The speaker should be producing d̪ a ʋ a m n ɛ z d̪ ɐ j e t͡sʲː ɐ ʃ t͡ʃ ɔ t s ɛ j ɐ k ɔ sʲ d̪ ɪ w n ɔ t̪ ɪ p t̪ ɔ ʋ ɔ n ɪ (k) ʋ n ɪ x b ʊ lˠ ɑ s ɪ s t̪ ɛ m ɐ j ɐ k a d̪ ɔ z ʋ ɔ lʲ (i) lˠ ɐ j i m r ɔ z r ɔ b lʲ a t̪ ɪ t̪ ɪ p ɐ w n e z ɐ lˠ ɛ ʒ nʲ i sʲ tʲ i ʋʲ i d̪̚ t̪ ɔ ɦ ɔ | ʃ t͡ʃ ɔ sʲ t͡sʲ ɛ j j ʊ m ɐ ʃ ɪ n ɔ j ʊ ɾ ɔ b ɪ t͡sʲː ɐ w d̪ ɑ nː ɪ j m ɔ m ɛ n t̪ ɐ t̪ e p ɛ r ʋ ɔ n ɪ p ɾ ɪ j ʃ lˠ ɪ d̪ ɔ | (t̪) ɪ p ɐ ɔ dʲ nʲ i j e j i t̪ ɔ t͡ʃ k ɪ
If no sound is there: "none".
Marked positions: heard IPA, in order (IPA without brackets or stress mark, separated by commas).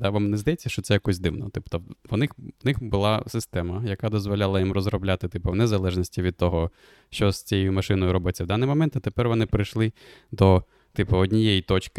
x, a, t̪